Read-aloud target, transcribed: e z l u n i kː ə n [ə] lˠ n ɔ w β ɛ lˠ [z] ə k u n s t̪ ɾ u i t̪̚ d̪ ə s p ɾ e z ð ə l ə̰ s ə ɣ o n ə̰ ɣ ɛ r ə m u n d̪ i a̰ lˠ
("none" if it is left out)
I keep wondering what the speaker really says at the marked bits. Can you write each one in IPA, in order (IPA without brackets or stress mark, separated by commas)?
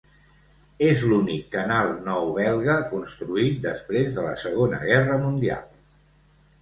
a, ɣ